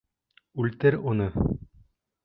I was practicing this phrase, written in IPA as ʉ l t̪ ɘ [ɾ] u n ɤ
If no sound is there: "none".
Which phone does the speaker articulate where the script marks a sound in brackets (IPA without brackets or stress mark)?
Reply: ɾ